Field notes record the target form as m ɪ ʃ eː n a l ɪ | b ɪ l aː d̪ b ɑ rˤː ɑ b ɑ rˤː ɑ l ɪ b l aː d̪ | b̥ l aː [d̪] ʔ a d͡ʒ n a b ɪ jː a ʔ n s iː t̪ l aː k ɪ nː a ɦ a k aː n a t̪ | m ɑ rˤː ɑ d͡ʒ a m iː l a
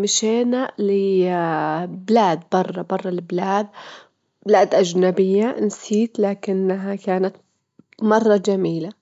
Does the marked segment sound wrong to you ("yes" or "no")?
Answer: no